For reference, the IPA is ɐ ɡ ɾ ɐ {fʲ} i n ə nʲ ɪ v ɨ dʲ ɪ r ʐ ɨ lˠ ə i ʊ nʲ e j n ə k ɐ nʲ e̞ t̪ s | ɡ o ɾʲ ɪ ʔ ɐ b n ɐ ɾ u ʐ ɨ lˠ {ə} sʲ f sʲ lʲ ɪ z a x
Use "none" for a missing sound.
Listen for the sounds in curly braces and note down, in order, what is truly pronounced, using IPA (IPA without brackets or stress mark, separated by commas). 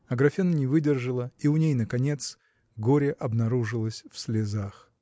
fʲ, ə